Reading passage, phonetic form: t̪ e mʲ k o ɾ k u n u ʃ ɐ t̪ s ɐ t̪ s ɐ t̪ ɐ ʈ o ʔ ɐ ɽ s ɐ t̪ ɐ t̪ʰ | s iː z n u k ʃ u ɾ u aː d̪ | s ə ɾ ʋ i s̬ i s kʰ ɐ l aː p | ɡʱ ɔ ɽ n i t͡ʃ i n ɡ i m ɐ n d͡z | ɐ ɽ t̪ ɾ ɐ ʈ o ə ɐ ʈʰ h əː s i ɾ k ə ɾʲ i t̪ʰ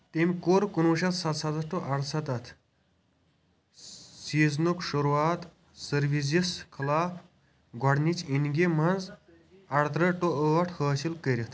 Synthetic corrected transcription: t̪ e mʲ k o ɾ k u n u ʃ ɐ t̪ s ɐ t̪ s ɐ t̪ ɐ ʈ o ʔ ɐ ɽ s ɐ t̪ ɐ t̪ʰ | s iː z n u k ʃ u ɾ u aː t̪ | s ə ɾ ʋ i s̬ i s kʰ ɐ l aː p | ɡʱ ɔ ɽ n i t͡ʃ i n ɡ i m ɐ n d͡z | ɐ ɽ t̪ ɾ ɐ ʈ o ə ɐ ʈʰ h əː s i l k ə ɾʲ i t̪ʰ